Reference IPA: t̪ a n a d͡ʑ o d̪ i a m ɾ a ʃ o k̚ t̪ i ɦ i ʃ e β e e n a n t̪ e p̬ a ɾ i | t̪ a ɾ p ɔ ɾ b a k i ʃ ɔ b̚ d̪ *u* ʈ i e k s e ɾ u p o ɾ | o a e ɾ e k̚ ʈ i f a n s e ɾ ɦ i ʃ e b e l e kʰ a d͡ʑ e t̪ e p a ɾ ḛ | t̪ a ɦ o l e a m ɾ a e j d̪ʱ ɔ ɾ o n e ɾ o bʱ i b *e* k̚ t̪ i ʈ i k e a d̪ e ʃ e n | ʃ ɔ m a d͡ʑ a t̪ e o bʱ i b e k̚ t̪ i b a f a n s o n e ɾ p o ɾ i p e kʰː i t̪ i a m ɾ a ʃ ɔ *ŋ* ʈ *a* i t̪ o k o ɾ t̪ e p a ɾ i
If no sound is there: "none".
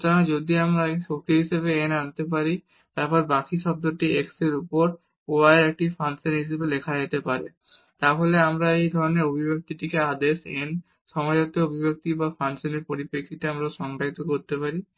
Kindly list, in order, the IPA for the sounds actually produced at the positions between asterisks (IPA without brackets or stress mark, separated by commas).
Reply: o, e, ŋ, a